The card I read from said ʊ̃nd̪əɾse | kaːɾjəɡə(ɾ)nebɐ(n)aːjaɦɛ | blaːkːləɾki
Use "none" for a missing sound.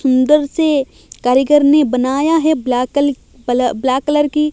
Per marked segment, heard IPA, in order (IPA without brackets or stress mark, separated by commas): ɾ, n